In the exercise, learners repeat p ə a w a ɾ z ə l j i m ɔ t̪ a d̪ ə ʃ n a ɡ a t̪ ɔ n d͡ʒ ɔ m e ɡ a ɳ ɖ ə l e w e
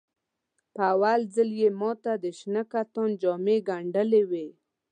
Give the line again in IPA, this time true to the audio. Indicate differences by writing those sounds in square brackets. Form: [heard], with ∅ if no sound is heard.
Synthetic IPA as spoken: p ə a w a [l] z ə l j [e] m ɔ t̪ a d̪ ə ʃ n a [k] a t̪ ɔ n d͡ʒ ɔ m e ɡ a ɳ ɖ ə l e w e